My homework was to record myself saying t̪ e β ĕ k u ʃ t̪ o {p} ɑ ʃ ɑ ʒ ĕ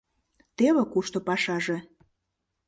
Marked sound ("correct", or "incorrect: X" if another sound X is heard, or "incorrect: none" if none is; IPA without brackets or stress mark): correct